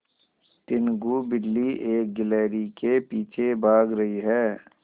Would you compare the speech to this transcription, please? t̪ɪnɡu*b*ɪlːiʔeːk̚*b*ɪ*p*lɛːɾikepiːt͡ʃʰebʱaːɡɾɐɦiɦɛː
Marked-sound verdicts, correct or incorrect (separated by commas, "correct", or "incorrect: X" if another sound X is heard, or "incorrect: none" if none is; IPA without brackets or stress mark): correct, incorrect: ɡ, incorrect: none